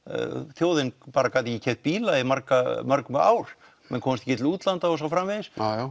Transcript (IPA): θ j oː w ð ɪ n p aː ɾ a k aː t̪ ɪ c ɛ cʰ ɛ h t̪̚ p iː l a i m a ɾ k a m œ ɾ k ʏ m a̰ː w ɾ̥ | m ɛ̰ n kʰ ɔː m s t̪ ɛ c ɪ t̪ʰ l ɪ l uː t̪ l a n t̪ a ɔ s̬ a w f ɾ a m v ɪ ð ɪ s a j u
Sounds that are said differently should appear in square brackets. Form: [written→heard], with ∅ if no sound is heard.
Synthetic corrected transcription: θ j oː w ð ɪ n p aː ɾ a k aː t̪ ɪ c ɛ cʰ ɛ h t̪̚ p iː l a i m a ɾ k a m œ ɾ k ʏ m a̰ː w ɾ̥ | m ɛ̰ n kʰ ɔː m s t̪ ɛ c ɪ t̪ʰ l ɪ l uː t̪ l a n t̪ a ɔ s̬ a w f ɾ a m v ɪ ð ɪ s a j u

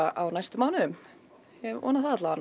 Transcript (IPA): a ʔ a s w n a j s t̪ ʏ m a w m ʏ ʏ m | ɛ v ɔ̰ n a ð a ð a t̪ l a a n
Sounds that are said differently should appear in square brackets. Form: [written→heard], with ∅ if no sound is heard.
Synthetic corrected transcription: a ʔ a [s→∅] w n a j s t̪ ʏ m a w [m→n] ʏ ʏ m | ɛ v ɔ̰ n a [ð→θ] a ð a t̪ l a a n

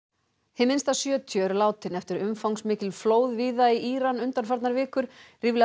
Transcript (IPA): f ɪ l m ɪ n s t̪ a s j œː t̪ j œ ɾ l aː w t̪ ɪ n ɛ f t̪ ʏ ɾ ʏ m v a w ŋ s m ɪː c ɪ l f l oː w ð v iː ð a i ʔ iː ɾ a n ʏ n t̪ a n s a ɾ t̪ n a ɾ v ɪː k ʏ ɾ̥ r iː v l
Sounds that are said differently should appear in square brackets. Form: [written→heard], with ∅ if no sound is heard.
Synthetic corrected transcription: [f→h] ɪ [l→∅] m ɪ n s t̪ a s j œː [t̪→t̪ʰ] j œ ɾ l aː w t̪ ɪ n ɛ f t̪ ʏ ɾ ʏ m [v→f] a w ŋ s m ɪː c ɪ l f l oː w ð v iː ð a i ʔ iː ɾ a n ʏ n t̪ a n [s→f] a ɾ t̪ n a ɾ v ɪː k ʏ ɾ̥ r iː v l

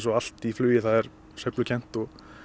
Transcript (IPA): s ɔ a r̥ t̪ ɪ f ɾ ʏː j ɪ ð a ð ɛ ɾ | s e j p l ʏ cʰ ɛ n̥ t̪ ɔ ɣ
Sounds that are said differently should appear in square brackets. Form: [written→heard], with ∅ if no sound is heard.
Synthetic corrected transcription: s ɔ a [r̥→l̥] t̪ [ɪ→i] f [ɾ→l] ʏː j ɪ [ð→θ] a ð ɛ ɾ | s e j p l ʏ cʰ ɛ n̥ t̪ ɔ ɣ

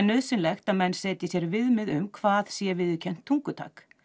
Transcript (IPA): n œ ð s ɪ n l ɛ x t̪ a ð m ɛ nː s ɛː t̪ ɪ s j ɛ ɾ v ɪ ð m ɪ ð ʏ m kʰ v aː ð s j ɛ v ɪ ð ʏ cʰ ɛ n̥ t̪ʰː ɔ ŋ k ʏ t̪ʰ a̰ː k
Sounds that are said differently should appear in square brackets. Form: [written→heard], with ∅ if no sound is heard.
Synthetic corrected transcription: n œ ð s ɪ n l ɛ x t̪ a ð m ɛ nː s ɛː t̪ ɪ s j ɛ ɾ v ɪ ð m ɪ ð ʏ m kʰ v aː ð s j ɛ v ɪ ð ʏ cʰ ɛ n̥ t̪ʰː [ɔ→u] ŋ k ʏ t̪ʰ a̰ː k

